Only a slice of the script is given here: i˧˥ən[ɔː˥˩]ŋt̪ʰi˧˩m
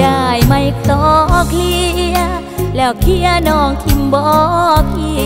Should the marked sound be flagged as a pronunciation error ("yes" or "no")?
yes